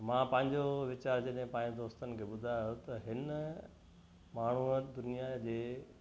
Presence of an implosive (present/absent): present